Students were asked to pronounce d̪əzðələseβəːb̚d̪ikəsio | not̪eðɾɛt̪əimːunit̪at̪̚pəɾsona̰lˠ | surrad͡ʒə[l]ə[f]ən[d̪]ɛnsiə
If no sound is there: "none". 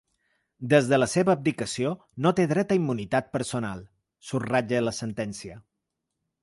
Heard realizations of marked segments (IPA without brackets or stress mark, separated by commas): l, s, t̪